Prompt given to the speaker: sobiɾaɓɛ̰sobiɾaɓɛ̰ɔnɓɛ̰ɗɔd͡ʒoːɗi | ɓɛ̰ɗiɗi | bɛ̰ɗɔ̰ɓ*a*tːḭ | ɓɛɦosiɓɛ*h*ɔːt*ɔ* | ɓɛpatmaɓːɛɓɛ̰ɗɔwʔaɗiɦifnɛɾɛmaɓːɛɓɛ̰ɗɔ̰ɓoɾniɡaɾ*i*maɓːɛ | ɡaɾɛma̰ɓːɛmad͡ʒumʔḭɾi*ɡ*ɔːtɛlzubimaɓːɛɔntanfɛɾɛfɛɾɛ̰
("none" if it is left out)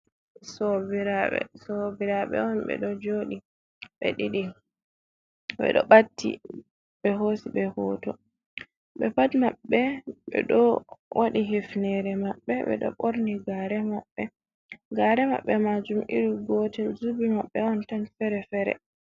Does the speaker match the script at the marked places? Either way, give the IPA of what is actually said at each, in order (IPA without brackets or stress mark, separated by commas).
a, h, ɔ, ɛ, ɡ